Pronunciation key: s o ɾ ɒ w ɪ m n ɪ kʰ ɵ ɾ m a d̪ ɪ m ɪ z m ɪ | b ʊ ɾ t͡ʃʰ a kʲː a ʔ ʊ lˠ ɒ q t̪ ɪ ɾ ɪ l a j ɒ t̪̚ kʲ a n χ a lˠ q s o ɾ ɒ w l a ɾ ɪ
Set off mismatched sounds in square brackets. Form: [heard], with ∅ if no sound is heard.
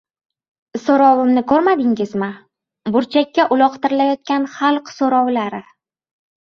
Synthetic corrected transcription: s o ɾ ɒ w ɪ m n ɪ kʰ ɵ ɾ m a d̪ ɪ [ŋ] ɪ z m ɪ | b ʊ ɾ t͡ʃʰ a kʲː a ʔ ʊ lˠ ɒ q t̪ ɪ ɾ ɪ l a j ɒ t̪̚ kʲ a n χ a lˠ q s o ɾ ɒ w l a ɾ ɪ